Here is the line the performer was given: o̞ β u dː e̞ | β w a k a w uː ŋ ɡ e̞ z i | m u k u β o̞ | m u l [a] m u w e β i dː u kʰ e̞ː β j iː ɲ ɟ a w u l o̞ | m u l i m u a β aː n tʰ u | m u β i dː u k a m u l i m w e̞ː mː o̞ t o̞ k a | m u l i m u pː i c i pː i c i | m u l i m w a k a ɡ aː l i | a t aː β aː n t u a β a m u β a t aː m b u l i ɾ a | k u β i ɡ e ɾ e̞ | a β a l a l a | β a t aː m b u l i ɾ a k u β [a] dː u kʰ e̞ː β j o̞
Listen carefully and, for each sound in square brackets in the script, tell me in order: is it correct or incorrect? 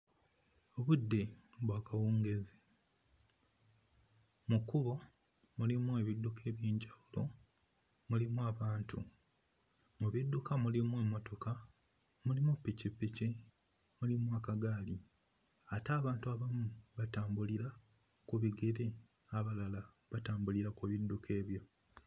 incorrect, incorrect

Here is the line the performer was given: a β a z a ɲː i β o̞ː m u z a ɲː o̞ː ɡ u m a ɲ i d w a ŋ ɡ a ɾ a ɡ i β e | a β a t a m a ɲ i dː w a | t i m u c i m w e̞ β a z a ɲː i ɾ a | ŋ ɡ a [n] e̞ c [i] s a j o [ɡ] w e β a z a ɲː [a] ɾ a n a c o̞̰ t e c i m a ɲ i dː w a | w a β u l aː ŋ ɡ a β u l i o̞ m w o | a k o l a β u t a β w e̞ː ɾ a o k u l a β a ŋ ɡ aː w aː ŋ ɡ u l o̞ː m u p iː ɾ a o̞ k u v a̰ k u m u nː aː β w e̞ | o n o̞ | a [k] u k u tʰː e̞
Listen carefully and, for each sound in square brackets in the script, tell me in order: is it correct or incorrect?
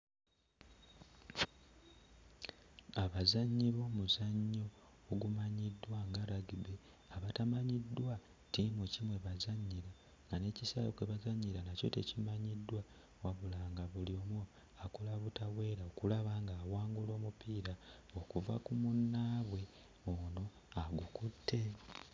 correct, correct, incorrect, incorrect, incorrect

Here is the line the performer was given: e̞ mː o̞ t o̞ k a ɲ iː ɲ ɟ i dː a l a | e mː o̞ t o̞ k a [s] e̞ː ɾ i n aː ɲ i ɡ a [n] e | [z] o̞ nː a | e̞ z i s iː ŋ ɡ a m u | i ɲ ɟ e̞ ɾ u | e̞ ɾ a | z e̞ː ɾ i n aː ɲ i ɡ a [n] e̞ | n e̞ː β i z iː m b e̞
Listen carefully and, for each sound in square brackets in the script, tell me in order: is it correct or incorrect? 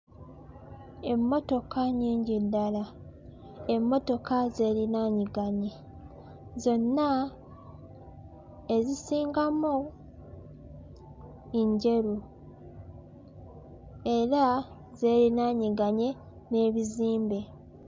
incorrect, incorrect, correct, incorrect

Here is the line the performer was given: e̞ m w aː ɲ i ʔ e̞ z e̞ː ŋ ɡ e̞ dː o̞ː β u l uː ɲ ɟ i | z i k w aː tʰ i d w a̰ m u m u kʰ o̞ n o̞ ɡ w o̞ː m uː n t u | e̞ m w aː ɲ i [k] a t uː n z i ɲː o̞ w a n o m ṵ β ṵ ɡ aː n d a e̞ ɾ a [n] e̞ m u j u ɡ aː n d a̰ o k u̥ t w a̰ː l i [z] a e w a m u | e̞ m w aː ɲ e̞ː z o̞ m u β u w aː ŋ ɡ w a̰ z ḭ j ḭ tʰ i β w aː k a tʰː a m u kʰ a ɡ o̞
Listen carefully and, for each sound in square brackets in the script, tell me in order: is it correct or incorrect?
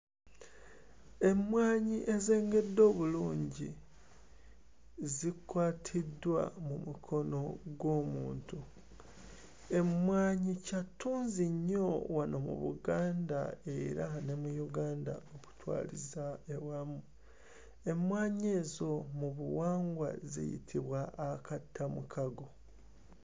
incorrect, correct, correct

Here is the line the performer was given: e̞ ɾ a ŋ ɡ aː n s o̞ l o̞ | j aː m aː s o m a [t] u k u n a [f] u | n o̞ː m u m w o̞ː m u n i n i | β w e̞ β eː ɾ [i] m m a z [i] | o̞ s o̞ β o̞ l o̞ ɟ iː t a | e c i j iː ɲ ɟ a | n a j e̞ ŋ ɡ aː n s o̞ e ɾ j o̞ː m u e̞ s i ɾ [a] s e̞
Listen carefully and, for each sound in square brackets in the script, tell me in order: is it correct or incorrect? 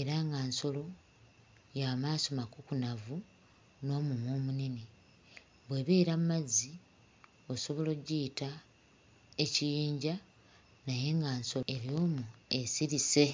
incorrect, incorrect, incorrect, correct, incorrect

